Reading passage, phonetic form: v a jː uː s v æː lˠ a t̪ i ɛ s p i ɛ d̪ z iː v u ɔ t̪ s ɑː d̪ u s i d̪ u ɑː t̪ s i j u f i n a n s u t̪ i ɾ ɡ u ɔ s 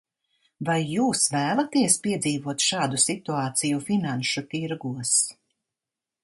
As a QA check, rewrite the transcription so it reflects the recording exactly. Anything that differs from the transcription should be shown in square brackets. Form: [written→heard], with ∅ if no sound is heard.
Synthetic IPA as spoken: v a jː uː s v æː lˠ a t̪ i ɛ s p i ɛ d̪ z iː v u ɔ t̪ [s→ʃ] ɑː d̪ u s i [d̪→t̪] u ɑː t̪ s i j u f i n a n [s→ʃ] u t̪ i ɾ ɡ u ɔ s